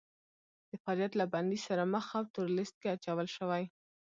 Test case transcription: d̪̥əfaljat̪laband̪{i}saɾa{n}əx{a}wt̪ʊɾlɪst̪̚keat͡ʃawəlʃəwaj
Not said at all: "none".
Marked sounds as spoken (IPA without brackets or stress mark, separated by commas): i, m, a